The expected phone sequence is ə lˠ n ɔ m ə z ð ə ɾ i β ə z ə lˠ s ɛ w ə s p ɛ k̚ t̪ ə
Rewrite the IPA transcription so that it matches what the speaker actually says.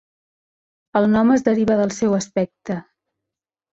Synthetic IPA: ə lˠ n ɔ m ə z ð ə ɾ i β ə ð ə lˠ s ɛ w ə s p ɛ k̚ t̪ ə